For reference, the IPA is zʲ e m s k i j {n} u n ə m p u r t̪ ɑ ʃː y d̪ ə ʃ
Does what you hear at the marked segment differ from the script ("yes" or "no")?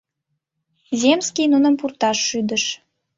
no